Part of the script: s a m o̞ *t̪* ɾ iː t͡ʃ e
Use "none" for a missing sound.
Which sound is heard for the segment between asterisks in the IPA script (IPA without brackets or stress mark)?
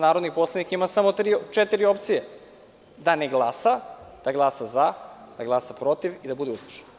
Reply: t̪